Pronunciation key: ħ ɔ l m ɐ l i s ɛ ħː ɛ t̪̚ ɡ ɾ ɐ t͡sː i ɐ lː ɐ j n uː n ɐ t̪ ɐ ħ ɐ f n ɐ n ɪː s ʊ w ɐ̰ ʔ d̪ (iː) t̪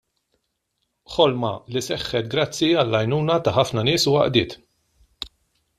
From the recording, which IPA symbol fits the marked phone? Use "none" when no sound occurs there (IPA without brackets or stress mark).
ɪː